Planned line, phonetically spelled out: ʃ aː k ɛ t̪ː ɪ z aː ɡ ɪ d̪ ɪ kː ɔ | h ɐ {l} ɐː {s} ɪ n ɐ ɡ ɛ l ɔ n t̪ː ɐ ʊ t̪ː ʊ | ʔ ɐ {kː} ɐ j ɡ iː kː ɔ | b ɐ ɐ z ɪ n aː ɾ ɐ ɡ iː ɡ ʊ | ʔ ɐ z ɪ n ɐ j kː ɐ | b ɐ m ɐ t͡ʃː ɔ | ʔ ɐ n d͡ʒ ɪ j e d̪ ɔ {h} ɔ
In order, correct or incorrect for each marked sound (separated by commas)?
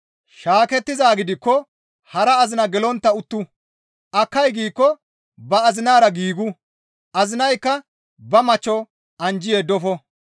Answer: incorrect, incorrect, correct, incorrect